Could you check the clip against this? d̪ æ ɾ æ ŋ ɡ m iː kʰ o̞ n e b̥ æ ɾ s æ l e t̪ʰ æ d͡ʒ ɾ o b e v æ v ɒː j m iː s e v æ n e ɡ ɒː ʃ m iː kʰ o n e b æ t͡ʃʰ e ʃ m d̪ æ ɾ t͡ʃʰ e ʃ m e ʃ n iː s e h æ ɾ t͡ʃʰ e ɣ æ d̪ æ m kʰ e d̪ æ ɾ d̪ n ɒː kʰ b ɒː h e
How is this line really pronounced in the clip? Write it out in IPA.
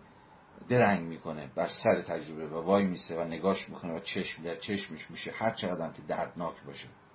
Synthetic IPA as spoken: d̪ e ɾ æ ŋ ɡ m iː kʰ o̞ n e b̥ æ ɾ s æ ɾ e t̪ʰ æ d͡ʒ ɾ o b e v æ v ɒː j m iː s e v æ n e ɡ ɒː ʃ m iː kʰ o n e v æ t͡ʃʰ e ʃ m d̪ æ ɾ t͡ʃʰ e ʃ m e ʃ m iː ʃ e h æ ɾ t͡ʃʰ e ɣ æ d̪ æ m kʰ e d̪ æ ɾ d̪ n ɒː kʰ b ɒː ʃ e